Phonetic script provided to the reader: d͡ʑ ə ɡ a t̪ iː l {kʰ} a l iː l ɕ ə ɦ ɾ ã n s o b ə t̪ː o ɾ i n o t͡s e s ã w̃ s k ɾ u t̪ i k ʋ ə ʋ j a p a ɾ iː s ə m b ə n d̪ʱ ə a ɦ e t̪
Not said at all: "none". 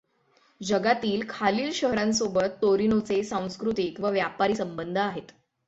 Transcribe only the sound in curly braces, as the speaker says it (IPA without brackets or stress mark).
kʰ